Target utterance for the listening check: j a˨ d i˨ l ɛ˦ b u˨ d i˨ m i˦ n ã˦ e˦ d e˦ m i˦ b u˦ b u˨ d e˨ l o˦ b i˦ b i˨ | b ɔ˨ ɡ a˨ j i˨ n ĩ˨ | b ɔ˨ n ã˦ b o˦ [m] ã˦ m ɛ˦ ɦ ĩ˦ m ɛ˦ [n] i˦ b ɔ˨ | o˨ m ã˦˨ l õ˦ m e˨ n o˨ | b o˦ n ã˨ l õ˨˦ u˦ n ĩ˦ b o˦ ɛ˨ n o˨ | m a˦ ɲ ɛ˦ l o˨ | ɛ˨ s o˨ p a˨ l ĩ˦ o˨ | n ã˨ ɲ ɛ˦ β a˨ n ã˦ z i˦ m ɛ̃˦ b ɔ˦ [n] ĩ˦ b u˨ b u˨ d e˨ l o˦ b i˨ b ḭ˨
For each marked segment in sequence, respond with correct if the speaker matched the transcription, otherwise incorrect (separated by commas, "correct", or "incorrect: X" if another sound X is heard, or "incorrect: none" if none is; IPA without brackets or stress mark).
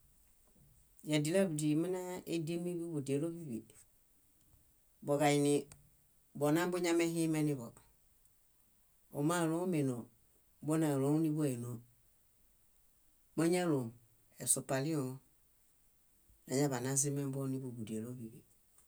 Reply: incorrect: ɲ, correct, correct